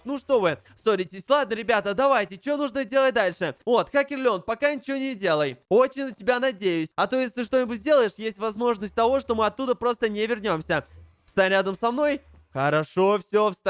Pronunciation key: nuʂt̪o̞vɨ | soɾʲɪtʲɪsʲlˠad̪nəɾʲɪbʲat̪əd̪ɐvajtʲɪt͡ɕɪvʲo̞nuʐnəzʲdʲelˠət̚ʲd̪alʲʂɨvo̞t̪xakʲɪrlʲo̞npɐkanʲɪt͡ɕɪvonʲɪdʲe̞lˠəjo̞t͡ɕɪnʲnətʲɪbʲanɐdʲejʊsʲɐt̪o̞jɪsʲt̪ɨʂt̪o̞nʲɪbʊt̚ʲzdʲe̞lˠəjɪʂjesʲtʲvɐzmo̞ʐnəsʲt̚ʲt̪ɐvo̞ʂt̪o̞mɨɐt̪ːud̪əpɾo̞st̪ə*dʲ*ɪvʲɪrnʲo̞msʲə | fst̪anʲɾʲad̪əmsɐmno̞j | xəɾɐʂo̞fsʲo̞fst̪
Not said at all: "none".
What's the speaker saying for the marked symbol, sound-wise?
nʲ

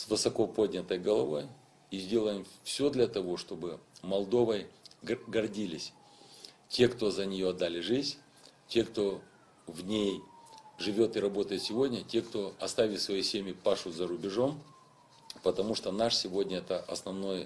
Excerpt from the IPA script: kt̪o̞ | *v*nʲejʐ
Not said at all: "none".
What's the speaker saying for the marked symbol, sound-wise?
v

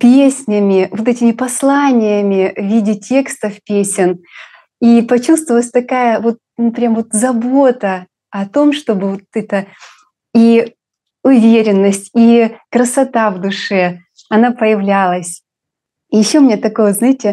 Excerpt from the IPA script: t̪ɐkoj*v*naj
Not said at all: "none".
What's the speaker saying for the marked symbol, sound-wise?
z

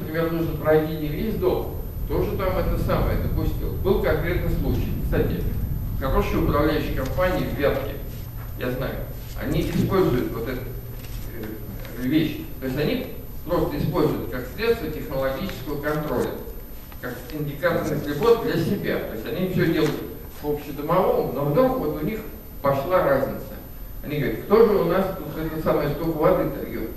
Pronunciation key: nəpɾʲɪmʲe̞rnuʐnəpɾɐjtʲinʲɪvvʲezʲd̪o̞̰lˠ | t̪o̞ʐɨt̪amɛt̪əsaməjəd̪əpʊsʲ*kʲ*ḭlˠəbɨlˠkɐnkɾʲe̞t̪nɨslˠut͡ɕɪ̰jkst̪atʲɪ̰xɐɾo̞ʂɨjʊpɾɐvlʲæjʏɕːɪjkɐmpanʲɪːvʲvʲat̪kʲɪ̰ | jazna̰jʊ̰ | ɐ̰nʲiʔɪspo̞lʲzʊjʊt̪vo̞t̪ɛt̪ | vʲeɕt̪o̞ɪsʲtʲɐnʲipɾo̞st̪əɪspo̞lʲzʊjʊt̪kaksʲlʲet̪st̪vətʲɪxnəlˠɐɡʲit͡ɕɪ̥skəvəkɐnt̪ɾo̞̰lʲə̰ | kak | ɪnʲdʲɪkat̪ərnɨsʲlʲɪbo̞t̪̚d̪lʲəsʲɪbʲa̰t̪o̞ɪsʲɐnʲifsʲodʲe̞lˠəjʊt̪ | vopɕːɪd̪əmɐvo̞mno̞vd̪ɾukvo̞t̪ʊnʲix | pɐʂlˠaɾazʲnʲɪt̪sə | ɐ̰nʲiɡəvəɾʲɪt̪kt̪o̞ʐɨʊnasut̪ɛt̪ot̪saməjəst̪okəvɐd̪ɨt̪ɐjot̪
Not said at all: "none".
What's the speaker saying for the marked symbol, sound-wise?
tʲ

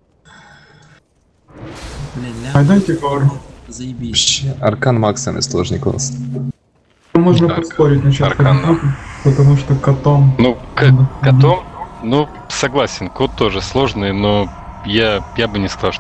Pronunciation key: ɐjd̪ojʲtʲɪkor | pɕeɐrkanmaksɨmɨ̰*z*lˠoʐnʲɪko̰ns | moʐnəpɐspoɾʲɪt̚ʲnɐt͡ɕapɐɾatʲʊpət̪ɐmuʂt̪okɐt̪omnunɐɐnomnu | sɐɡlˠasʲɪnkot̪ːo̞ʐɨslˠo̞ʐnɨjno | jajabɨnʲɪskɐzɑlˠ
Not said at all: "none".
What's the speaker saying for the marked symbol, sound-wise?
s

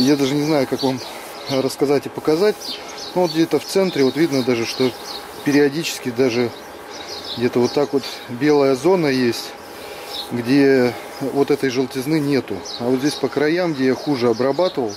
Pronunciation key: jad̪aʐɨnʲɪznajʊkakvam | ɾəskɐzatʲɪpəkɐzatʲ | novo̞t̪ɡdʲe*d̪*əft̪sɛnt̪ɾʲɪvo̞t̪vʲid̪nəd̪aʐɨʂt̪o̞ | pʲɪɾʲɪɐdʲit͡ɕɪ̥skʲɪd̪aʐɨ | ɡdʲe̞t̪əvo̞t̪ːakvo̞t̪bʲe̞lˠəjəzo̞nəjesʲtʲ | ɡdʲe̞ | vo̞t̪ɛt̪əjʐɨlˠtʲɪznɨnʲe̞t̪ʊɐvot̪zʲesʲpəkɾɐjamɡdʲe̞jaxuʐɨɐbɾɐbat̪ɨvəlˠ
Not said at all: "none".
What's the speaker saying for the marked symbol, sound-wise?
t̪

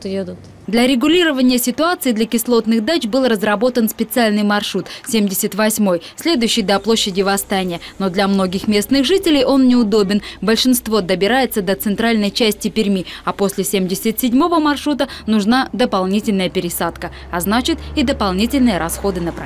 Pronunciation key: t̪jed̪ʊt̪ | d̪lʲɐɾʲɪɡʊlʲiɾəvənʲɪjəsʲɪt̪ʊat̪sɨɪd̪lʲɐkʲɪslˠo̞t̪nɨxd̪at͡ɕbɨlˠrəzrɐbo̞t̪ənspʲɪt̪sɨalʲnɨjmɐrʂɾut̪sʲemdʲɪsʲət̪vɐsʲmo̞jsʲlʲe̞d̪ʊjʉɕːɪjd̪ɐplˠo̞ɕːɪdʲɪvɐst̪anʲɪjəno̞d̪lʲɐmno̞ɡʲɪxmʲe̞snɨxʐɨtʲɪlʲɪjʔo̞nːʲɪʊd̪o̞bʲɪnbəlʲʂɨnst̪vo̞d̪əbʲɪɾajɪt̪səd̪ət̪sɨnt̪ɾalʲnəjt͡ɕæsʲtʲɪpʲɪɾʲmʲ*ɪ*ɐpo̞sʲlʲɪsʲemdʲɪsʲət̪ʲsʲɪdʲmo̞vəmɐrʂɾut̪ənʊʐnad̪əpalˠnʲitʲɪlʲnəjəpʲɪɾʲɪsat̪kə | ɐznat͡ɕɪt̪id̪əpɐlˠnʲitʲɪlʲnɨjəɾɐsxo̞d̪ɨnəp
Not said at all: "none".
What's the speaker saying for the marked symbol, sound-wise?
i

